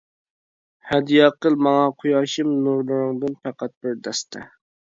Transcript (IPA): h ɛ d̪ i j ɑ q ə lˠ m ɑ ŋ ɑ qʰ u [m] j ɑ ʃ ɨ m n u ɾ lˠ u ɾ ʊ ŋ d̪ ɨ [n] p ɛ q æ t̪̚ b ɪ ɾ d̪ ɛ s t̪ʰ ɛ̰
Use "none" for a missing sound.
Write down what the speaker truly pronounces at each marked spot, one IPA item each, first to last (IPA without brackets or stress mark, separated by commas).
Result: none, n